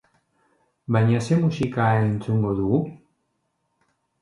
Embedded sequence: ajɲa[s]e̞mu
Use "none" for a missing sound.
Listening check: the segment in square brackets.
s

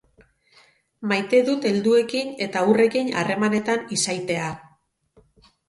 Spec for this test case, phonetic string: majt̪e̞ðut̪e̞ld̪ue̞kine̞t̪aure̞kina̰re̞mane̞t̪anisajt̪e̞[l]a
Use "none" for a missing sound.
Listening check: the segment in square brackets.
none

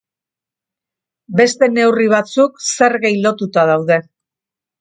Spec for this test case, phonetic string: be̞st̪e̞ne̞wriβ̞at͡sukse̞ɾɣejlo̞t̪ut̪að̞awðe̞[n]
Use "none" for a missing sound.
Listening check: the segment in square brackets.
none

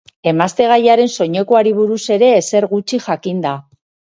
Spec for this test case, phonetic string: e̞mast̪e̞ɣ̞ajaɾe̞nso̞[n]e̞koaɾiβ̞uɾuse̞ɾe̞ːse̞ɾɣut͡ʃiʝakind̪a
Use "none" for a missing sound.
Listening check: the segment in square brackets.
ɲ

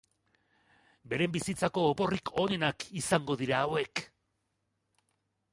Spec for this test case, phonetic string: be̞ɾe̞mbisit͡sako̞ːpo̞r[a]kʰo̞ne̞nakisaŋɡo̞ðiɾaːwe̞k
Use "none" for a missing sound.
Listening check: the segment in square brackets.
i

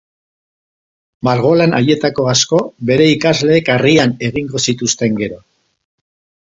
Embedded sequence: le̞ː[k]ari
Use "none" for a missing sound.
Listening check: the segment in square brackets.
k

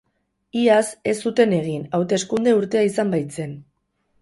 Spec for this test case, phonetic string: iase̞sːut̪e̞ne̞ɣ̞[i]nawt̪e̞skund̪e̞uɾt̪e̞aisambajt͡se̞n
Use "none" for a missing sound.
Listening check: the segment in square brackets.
i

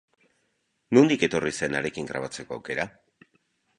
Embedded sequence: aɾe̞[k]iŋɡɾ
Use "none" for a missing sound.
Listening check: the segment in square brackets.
k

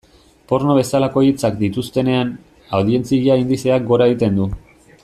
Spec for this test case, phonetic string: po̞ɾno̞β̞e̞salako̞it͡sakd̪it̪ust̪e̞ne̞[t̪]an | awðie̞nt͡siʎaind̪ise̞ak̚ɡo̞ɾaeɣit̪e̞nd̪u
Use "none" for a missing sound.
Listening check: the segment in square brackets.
none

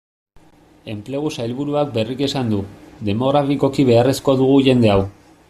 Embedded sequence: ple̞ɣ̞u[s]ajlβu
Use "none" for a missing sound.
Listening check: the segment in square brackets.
s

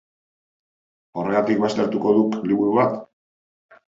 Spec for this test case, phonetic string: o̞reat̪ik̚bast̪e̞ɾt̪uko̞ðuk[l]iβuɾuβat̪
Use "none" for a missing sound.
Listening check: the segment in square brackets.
l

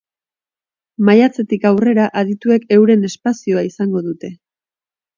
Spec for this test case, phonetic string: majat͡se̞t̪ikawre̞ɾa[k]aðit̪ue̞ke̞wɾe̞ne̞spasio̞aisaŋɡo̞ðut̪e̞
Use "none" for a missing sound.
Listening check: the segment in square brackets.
ʔ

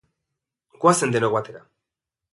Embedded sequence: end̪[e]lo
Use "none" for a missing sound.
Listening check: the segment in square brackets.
e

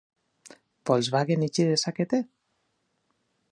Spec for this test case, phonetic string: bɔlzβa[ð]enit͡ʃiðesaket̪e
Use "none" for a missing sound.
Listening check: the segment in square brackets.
ɣ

